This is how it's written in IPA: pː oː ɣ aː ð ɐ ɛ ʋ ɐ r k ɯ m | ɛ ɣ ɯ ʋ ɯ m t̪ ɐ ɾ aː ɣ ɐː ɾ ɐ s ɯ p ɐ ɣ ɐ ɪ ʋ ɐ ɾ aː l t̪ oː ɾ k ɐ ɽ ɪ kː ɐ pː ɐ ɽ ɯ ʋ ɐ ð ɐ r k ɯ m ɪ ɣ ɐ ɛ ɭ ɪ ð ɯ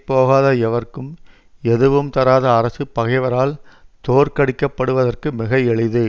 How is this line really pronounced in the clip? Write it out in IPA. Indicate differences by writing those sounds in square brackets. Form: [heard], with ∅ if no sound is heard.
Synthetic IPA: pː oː ɣ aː ð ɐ ɛ ʋ ɐ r k ɯ m | ɛ [ð] ɯ ʋ ɯ m t̪ ɐ ɾ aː [ð] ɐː ɾ ɐ s ɯ p ɐ ɣ ɐ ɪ ʋ ɐ ɾ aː l t̪ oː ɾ k ɐ ɽ ɪ kː ɐ pː ɐ ɽ ɯ ʋ ɐ ð ɐ r k ɯ m ɪ ɣ ɐ ɛ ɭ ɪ ð ɯ